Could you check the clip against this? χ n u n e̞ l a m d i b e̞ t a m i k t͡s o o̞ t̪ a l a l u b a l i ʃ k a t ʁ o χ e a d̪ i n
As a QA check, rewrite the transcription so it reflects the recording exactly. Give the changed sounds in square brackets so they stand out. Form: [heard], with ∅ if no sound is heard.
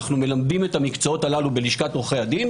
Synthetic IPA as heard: χ n u [m] e̞ l a m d i [m] e̞ t a m i k t͡s o o̞ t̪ a l a l u b [e] l i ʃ k a t ʁ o χ e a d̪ i n